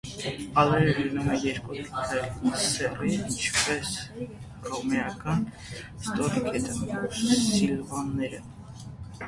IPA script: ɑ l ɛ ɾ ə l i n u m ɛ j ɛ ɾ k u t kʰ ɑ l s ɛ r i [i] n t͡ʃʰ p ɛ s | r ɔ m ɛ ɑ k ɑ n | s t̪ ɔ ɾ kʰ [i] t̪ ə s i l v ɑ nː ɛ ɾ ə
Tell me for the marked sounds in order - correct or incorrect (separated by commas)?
correct, incorrect